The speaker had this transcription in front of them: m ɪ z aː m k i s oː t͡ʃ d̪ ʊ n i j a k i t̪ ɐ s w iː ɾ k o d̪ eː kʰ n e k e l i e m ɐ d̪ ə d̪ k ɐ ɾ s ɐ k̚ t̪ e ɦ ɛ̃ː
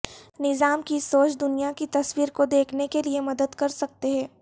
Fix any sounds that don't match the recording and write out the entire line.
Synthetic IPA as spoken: n ɪ z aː m k i s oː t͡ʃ d̪ ʊ n i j a k i t̪ ɐ s w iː ɾ k o d̪ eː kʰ n e k e l i e m ɐ d̪ ə d̪ k ɐ ɾ s ɐ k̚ t̪ e ɦ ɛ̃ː